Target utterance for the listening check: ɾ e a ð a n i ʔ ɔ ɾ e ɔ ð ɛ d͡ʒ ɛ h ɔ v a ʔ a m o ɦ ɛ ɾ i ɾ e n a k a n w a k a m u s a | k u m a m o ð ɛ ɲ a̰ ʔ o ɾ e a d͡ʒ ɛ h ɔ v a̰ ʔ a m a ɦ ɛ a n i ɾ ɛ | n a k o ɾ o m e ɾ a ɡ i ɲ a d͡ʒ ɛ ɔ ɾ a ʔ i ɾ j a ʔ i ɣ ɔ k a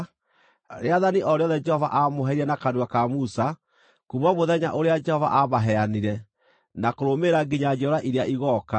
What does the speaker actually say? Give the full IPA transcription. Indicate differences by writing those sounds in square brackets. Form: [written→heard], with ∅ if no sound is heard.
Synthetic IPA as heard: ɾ e a ð a n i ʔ ɔ ɾ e ɔ ð ɛ d͡ʒ ɛ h ɔ v a ʔ a m o ɦ ɛ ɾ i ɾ [e→ɛ] n a k a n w a k a m u s a | k u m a m o ð ɛ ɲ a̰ ʔ o ɾ e a d͡ʒ ɛ h ɔ v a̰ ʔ a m a ɦ ɛ a n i ɾ ɛ | n a k o ɾ o m e ɾ a ɡ i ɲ a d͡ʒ ɛ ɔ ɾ a ʔ i ɾ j a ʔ i ɣ ɔ k a

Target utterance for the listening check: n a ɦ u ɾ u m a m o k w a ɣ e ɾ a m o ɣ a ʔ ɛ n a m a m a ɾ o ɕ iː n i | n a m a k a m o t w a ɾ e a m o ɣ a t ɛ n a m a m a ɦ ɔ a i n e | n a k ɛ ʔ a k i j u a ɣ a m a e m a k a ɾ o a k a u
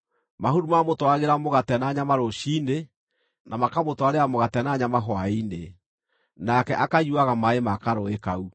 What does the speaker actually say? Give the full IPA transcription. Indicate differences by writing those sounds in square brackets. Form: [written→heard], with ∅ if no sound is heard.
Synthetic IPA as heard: [n→m] a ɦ u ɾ u m a m o [k→t] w a ɣ e ɾ a m o ɣ a [ʔ→t] ɛ n a [m→ɲ] a m a ɾ o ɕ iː n [i→e] | n a m a k a m o t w a ɾ e a m o ɣ a t ɛ n a [m→ɲ] a m a ɦ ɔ a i n e | n a k ɛ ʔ a k [i→a] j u a ɣ a m a e m a k a ɾ o [a→e] k a u

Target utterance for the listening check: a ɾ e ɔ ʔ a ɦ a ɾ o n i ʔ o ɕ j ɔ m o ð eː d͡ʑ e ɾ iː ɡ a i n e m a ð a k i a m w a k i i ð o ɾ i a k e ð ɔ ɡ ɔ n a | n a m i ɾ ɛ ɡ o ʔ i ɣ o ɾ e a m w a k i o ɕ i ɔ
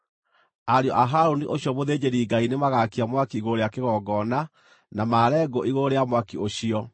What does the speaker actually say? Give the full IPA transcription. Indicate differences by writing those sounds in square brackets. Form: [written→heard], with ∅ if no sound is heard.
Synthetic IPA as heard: a ɾ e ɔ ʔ a ɦ a ɾ o n i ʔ o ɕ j ɔ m o ð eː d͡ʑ e ɾ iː ɡ a i n e m a [ð→ɣ] a k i a m w a k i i [ð→ɣ] o ɾ [i→e] a k e [ð→ɣ] ɔ ɡ ɔ n a | n a m [i→a] ɾ ɛ ɡ o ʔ i ɣ o ɾ e a m w a k i o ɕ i ɔ

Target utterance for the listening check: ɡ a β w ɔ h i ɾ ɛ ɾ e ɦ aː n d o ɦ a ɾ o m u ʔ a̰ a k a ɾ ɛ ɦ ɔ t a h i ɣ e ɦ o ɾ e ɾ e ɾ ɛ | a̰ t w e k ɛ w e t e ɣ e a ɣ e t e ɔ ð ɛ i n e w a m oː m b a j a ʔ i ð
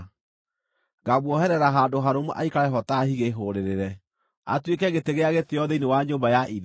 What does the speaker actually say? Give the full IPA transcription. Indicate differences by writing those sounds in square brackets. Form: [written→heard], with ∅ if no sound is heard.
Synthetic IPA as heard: ɡ a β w ɔ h [i→ɛ] ɾ ɛ ɾ [e→a] ɦ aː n d o ɦ a ɾ o m u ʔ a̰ [a→i] k a ɾ ɛ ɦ ɔ t a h i ɣ e ɦ o ɾ e ɾ e ɾ ɛ | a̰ t w e k ɛ [w→ɣ] e t e ɣ e a ɣ e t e ɔ ð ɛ i n e w a [m→ɲ] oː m b a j a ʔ i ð

